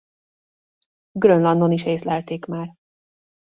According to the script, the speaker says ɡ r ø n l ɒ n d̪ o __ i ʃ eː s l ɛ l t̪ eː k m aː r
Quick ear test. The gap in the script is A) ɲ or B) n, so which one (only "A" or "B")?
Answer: B